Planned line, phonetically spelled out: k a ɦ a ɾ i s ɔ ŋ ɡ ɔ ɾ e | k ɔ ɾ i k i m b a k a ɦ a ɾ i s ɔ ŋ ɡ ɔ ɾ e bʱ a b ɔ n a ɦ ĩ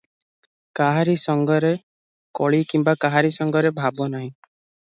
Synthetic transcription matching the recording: k a ɦ a ɾ i s ɔ ŋ ɡ ɔ ɾ e | k ɔ ɭ i k i m b a k a ɦ a ɾ i s ɔ ŋ ɡ ɔ ɾ e bʱ a b ɔ n a ɦ ĩ